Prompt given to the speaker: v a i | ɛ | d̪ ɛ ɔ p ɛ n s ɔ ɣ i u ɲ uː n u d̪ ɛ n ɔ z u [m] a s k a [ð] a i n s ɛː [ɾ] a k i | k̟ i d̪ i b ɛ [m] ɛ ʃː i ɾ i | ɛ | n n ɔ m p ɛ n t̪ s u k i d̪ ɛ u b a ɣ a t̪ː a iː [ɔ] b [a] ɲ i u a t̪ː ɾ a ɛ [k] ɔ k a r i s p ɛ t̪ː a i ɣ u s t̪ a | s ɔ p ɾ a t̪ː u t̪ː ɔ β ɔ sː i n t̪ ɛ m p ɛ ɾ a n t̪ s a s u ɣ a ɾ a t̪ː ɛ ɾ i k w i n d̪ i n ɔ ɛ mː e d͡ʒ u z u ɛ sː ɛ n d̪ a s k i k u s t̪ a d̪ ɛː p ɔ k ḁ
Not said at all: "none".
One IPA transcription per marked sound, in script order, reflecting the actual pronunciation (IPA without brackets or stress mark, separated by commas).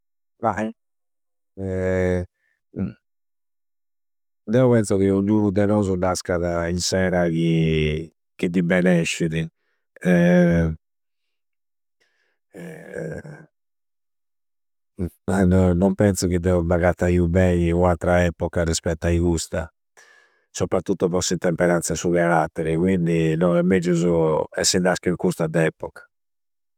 n, ð, ɾ, n, u, ɛ, p